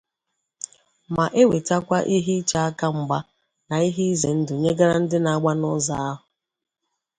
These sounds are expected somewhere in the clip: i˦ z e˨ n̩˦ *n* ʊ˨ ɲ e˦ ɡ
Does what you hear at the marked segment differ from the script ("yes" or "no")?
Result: yes